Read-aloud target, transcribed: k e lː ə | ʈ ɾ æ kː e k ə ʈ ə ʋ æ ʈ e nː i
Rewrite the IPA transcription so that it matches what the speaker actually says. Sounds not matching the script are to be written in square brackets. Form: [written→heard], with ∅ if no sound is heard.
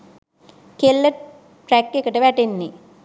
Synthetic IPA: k e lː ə | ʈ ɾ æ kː e k ə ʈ ə ʋ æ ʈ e nː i